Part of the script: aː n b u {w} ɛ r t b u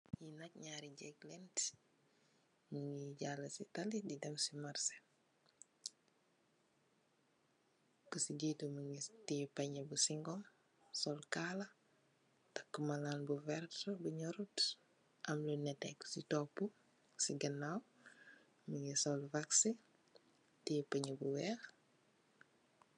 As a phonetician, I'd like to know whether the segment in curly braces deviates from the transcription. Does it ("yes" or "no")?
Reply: yes